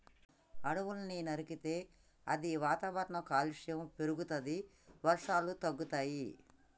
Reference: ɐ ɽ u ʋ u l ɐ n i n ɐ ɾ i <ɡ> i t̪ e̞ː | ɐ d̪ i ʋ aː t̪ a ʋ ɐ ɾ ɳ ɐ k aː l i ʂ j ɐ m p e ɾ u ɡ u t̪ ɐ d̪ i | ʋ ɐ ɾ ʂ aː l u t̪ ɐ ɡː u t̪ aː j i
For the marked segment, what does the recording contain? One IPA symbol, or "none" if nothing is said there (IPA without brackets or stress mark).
k